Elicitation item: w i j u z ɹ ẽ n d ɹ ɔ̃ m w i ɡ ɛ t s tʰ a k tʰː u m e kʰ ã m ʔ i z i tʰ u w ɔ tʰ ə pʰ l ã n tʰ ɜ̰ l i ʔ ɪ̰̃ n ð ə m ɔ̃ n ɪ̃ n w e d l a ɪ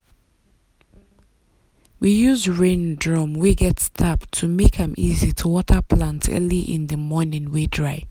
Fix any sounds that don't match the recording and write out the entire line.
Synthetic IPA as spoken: w i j u z ɹ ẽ n d ɹ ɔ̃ m w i ɡ ɛ t s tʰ a p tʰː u m e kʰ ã m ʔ i z i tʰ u w ɔ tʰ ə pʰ l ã n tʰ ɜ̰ l i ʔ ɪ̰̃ n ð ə m ɔ n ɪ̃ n w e d ɹ a ɪ

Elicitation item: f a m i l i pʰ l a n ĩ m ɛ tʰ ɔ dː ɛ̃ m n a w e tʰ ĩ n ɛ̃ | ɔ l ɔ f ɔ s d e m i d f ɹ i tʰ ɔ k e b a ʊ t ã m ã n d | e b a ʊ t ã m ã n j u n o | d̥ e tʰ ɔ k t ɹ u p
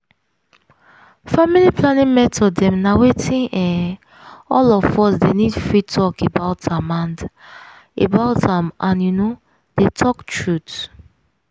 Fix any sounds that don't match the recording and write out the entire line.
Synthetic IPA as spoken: f a m i l i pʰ l a n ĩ m ɛ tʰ ɔ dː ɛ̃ m n a w e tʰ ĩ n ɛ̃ | ɔ l ɔ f ɔ s d e n i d f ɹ i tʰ ɔ k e b a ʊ t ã m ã n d | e b a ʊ t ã m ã n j u n o | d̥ e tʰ ɔ k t ɹ u t

